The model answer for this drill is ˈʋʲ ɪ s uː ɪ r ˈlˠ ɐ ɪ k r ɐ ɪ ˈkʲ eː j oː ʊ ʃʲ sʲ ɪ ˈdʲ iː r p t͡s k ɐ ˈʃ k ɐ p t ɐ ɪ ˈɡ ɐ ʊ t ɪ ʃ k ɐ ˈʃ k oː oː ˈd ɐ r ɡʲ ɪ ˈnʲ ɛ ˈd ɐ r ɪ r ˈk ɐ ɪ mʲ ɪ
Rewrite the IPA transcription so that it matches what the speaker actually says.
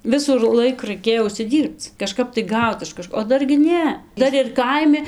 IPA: ˈʋʲ ɪ s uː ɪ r ˈlˠ ɐ ɪ k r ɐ ɪ ˈkʲ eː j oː ʊ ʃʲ sʲ ɪ ˈdʲ iː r p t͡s k ɐ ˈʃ k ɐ p t ɐ ɪ ˈɡ ɐ ʊ t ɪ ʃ k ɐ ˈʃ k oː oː ˈd ɐ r ɡʲ ɪ ˈnʲ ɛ ˈd ɐ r ɪ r ˈk ɐ ɪ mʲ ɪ